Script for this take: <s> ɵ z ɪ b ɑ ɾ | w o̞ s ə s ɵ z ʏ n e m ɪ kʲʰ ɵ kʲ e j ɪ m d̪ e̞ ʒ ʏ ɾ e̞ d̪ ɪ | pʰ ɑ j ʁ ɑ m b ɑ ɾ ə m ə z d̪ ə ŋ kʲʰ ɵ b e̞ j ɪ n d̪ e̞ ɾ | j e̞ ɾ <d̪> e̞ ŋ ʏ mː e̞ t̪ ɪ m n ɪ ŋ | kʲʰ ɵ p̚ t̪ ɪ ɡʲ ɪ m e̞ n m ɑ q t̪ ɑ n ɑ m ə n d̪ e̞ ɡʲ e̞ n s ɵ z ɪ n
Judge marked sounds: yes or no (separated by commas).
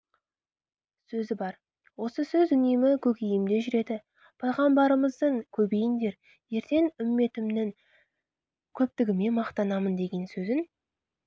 yes, no